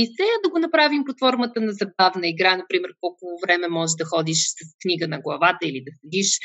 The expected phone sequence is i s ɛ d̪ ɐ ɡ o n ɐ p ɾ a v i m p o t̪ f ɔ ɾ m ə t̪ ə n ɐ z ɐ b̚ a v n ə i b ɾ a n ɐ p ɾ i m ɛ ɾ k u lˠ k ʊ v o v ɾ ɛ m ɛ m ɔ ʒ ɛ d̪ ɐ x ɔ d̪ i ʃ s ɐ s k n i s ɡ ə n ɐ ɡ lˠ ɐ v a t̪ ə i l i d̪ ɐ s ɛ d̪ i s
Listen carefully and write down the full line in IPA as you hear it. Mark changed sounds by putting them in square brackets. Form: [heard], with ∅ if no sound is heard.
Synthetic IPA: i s ɛ d̪ ɐ ɡ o n ɐ p ɾ a v i m p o t̪ f ɔ ɾ m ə t̪ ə n ɐ z ɐ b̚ a v n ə i [ɡ] ɾ a n ɐ p ɾ i m ɛ ɾ k [ɔ] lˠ k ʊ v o v ɾ ɛ m ɛ m ɔ ʒ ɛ d̪ ɐ x ɔ d̪ i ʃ s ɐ s k n i [∅] ɡ ə n ɐ ɡ lˠ ɐ v a t̪ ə i l i d̪ ɐ s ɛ d̪ i [ʃ]